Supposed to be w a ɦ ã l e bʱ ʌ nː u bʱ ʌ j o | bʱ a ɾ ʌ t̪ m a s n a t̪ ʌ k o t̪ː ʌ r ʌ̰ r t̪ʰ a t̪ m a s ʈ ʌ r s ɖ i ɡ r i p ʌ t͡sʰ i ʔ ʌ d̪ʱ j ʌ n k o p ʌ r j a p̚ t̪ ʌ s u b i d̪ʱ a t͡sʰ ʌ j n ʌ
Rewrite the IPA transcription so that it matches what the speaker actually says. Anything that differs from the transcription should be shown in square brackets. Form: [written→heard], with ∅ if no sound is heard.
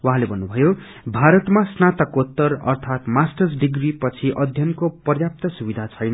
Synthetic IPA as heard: w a ɦ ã l e bʱ ʌ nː u bʱ ʌ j o | bʱ a ɾ ʌ t̪ m a s n a t̪ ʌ k o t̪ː ʌ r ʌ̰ r t̪ʰ a t̪ m a s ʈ ʌ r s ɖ i ɡ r i p ʌ t͡sʰ i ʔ ʌ d̪ʱ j ʌ n k o p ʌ r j a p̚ t̪ ʌ s u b i d̪ʱ a t͡sʰ ʌ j n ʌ